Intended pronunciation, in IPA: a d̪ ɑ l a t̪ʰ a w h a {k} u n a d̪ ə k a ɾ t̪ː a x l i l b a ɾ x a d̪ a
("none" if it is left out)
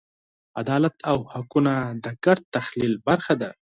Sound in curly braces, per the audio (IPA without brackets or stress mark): k